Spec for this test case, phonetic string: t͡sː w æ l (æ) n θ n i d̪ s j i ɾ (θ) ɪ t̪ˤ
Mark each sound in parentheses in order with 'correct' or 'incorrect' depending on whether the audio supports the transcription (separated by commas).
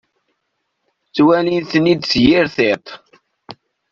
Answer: incorrect, correct